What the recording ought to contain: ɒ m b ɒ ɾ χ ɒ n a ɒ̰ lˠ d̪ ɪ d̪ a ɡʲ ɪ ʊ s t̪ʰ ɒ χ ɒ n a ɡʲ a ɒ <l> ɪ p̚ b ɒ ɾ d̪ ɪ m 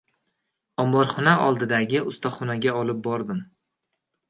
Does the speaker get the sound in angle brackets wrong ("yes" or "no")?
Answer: no